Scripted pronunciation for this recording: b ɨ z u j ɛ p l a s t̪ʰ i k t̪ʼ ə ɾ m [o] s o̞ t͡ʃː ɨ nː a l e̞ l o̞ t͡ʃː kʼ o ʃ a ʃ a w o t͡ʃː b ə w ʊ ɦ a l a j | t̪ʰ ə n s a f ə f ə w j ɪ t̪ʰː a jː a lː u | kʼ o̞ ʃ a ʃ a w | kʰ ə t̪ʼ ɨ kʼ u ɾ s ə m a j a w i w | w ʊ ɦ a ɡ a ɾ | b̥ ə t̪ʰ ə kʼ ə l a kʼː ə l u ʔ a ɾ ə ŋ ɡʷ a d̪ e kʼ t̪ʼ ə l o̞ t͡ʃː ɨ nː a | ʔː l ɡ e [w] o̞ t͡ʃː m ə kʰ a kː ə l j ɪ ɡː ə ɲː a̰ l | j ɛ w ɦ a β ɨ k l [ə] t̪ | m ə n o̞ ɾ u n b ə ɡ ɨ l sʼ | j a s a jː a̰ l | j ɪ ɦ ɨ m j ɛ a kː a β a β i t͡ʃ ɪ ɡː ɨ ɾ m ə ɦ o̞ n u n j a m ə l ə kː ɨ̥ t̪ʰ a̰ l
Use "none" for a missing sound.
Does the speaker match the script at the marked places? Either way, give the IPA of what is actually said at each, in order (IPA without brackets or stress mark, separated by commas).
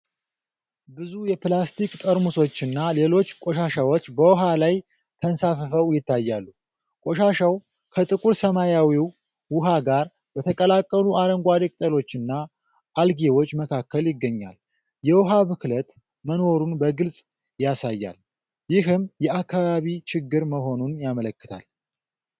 u, w, ə